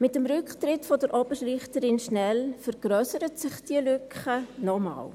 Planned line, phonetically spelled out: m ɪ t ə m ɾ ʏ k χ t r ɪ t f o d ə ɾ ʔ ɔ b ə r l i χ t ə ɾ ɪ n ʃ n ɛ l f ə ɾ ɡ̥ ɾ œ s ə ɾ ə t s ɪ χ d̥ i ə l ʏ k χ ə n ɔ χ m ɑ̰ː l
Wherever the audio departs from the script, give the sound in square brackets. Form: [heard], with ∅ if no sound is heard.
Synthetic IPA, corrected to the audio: m ɪ t ə m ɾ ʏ k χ t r ɪ t f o d ə ɾ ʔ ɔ b ə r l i χ t ə ɾ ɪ n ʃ n ɛ l f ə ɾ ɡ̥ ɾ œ s ə ɾ ə t s ɪ χ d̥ i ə l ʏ k χ ə n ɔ [∅] m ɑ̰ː l

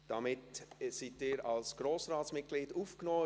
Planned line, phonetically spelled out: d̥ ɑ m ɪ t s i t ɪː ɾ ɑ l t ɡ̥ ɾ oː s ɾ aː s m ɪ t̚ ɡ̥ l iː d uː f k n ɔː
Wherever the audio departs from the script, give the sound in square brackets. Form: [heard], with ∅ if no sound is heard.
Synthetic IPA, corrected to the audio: d̥ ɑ m ɪ t s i t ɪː ɾ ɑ l [s] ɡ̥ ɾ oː s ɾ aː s m ɪ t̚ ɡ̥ l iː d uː f k n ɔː

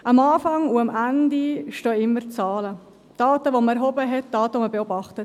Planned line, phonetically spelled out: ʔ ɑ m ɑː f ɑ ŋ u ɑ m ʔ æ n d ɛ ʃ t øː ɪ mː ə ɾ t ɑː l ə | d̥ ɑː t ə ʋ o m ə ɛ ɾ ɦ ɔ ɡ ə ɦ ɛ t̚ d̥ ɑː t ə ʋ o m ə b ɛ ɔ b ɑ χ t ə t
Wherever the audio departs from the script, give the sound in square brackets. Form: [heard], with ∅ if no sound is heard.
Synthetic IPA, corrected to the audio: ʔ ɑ m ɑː f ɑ ŋ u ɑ m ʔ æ n d [i] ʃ t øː ɪ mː ə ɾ [t͡s] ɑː l ə | d̥ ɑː t ə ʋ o m ə ɛ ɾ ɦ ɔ [b] ə ɦ ɛ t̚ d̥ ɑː t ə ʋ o m ə b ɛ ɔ b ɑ χ t ə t

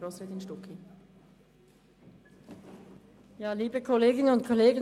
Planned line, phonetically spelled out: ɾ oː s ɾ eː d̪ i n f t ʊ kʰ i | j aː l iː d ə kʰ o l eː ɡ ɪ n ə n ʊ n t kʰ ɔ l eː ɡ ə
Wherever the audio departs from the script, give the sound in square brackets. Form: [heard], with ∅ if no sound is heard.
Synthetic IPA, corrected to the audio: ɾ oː s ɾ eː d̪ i n [ʃ] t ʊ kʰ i | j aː l iː [b] ə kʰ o l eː ɡ ɪ n ə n ʊ n t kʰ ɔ l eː ɡ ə

